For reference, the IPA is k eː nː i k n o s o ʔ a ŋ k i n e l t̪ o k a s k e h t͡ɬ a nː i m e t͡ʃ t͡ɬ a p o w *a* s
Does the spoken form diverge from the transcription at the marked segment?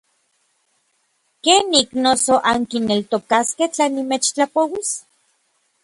yes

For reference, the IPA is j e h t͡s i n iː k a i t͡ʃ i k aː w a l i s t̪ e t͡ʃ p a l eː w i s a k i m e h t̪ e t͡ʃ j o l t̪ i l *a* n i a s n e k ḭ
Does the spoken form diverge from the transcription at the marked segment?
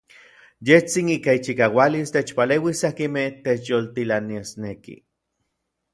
no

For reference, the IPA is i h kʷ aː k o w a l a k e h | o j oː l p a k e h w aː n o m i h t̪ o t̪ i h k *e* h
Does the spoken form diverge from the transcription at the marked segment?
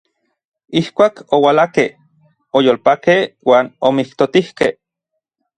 no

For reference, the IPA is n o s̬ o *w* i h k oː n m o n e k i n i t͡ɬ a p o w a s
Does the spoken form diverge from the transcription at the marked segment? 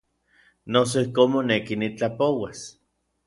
yes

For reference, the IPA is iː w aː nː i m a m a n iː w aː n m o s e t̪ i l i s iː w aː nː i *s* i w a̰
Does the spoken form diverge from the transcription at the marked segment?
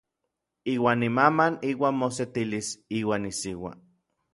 no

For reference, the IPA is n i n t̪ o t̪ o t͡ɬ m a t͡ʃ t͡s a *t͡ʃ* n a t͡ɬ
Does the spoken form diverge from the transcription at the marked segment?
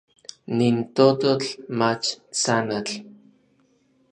yes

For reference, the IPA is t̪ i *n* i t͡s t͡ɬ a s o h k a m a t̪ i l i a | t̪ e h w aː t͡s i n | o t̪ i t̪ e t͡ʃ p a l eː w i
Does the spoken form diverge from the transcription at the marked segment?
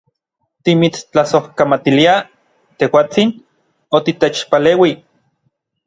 yes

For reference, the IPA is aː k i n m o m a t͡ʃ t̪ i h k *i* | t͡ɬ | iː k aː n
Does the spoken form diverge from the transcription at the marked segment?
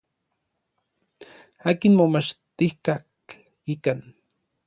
yes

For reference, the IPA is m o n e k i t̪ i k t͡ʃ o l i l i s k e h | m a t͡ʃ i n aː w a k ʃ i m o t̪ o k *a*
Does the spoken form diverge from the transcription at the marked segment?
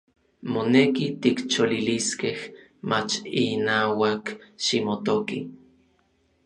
yes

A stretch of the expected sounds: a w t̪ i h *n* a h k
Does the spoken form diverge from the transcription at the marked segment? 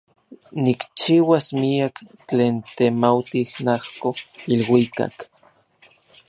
no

